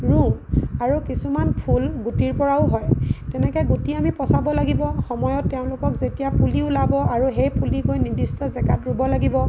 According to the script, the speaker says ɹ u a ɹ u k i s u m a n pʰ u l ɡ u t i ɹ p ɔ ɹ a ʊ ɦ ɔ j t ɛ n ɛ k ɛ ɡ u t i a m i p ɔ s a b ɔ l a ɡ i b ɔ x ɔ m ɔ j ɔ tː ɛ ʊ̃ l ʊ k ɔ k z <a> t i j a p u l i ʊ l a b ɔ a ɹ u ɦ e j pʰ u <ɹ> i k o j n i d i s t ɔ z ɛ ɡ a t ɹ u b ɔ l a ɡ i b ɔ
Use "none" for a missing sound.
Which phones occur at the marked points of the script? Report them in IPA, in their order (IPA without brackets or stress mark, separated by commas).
e, l